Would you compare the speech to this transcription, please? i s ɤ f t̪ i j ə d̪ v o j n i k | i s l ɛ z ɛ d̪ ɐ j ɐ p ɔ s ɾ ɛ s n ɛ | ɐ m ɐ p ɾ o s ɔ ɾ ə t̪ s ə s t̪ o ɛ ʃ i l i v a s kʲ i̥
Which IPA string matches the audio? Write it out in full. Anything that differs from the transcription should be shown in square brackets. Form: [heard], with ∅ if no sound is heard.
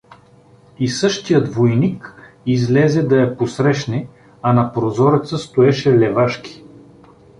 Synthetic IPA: i s ɤ [ʃ] t̪ i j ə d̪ v o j n i k | i [z] l ɛ z ɛ d̪ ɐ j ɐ p [o] s ɾ ɛ [ʃ] n ɛ | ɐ [n] ɐ p ɾ o [z] ɔ ɾ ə t̪ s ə s t̪ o ɛ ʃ [ɛ] l [ɛ] v a [ʃ] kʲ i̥